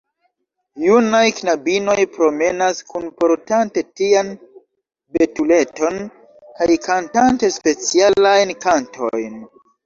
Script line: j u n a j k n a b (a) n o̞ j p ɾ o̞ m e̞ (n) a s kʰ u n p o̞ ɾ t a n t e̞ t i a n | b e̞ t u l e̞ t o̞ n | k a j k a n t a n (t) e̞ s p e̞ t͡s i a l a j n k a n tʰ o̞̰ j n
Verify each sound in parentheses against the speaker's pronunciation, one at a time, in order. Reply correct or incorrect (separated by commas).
incorrect, correct, correct